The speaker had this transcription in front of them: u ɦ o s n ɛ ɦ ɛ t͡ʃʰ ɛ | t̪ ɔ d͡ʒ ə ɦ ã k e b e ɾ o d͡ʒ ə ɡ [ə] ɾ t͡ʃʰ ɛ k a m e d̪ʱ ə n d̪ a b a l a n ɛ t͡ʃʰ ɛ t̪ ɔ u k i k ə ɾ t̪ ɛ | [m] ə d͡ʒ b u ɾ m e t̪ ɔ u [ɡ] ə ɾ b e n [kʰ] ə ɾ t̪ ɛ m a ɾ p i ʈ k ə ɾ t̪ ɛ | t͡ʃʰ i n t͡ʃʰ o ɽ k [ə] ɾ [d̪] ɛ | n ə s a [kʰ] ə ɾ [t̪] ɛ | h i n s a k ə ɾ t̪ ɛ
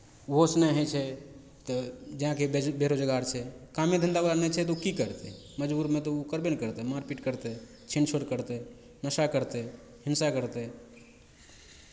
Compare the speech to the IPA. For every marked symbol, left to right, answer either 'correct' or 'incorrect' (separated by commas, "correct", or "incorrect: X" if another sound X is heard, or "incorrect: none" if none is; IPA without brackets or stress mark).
incorrect: a, correct, incorrect: k, incorrect: k, correct, incorrect: t̪, incorrect: k, correct